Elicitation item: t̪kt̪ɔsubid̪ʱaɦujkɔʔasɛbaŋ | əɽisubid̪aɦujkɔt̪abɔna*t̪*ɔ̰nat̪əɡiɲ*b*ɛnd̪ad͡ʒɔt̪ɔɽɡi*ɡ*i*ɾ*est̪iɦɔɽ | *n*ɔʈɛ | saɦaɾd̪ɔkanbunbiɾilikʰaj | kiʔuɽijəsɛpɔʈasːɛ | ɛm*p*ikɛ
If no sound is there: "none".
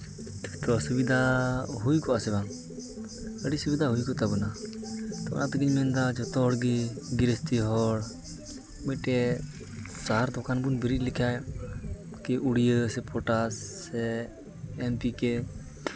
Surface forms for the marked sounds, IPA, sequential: t̪, m, ɡ, ɾ, m, p

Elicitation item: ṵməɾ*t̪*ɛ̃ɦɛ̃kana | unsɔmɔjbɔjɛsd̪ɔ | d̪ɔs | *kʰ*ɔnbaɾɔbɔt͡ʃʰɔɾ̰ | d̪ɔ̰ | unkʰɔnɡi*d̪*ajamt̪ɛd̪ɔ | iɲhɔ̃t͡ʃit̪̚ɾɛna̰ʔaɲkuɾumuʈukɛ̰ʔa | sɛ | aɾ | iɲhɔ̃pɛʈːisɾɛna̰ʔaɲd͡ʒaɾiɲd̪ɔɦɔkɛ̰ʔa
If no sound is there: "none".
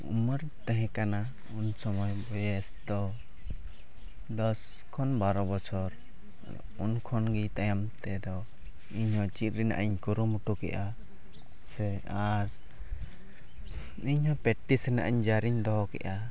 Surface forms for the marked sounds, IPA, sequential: t̪, kʰ, t̪

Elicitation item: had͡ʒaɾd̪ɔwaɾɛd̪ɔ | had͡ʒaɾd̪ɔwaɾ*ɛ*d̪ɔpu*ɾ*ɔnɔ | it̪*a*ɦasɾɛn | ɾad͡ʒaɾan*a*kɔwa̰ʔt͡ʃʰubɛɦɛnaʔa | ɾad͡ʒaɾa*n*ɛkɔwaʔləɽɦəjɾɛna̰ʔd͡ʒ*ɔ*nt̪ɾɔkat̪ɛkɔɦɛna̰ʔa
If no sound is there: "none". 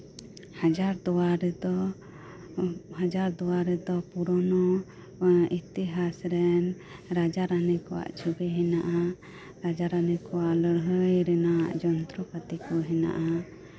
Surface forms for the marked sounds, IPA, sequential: ɛ, ɾ, i, ɛ, n, ɔ

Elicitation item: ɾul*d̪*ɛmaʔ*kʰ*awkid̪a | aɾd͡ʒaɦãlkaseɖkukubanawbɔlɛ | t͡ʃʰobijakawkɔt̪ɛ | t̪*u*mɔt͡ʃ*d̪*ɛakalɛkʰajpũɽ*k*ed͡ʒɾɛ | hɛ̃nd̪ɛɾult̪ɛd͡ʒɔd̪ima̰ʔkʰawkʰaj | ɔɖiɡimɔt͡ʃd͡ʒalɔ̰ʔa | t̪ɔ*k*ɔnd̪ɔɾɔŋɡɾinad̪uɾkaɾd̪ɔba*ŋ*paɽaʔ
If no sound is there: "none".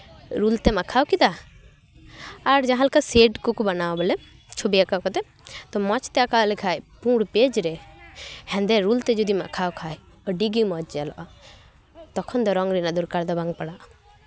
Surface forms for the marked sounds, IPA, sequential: t̪, kʰ, ɔ, t̪, p, kʰ, ŋ

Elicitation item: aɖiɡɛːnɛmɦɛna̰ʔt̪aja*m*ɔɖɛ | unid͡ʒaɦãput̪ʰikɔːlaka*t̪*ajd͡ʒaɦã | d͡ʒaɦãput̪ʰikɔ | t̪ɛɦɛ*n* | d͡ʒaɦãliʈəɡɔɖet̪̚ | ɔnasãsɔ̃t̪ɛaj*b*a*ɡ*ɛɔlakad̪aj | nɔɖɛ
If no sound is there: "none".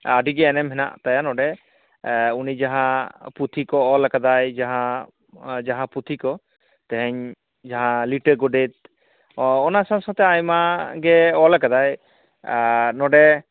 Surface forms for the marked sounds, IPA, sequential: n, d̪, ɲ, m, ɡ

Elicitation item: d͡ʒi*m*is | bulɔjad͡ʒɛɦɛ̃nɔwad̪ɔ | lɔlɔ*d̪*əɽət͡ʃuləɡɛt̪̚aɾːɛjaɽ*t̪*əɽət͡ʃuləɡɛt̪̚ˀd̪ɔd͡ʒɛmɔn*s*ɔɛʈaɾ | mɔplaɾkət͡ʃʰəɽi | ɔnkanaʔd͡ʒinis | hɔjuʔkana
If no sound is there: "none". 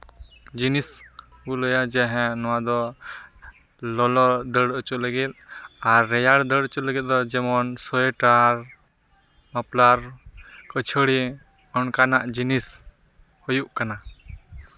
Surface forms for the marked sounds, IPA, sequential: n, d̪, d̪, s

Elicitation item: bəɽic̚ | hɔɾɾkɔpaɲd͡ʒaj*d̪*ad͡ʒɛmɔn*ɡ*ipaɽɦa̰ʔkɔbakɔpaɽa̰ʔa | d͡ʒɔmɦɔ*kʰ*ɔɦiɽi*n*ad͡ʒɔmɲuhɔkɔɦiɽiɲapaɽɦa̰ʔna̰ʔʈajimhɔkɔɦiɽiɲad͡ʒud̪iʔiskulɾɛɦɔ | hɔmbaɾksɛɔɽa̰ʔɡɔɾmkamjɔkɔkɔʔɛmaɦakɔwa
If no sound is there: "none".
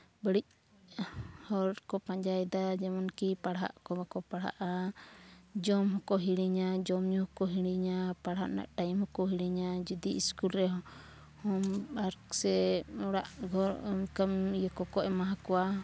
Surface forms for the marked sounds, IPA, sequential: d̪, k, k, ɲ

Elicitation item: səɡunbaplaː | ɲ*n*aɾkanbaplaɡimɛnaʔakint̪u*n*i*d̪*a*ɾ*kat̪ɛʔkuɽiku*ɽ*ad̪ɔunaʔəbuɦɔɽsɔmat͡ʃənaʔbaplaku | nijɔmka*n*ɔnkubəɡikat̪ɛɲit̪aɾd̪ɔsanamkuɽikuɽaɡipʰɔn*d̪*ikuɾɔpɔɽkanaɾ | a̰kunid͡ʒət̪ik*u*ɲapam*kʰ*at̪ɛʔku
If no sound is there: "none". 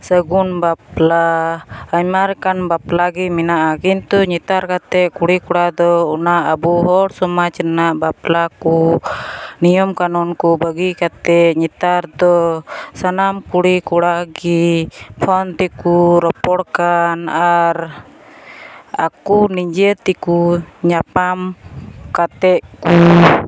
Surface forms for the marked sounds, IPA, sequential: m, ɲ, t̪, ɾ, ɽ, n, t̪, u, k

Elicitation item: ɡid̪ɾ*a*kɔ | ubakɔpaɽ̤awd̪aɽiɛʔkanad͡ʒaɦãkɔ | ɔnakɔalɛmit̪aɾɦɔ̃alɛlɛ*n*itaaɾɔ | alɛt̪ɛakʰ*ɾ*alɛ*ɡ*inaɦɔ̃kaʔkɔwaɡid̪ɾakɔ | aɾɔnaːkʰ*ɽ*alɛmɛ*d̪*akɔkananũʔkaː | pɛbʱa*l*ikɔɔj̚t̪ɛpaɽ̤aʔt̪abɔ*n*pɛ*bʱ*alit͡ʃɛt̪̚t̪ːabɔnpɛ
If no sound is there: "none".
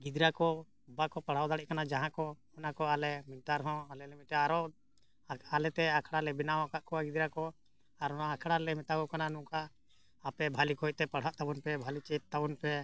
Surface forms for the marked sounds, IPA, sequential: a, m, ɽ, b, ɽ, t̪, l, n, bʱ

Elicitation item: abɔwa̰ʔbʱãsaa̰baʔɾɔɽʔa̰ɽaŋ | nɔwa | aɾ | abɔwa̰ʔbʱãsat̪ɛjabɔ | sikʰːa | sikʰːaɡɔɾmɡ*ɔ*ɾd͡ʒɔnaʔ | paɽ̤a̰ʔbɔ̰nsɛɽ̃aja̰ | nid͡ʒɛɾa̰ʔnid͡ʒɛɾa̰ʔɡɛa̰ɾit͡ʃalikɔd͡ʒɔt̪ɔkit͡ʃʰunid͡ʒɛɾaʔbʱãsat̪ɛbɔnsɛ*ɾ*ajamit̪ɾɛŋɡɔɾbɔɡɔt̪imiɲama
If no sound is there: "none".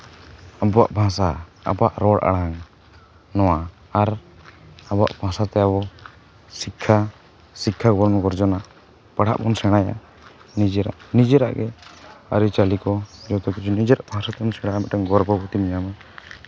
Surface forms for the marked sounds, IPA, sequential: ɔ, ɽ

